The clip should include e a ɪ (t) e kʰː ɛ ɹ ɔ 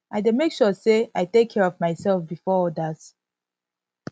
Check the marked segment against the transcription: correct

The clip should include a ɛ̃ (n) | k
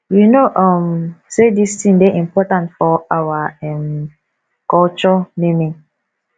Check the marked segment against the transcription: incorrect: m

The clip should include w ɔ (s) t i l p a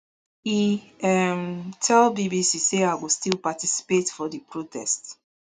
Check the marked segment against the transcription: correct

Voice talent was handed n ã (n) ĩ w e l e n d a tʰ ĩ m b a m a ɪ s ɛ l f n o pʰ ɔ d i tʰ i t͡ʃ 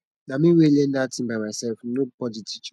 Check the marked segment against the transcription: incorrect: m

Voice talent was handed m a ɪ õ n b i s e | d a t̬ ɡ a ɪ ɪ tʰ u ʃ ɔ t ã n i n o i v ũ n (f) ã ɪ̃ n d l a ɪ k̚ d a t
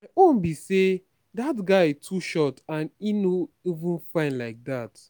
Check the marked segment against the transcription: correct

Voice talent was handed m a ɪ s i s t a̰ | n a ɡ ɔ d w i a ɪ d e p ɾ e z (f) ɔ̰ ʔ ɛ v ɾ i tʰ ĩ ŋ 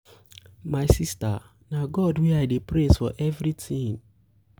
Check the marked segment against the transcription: correct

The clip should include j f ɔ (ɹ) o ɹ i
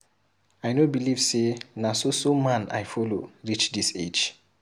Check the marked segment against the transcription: incorrect: l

